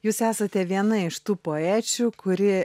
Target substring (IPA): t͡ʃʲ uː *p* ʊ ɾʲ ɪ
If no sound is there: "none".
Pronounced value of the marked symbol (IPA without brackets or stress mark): k